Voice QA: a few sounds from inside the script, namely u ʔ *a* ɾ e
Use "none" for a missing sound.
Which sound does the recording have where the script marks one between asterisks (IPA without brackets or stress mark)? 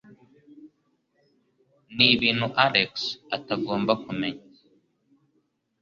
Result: a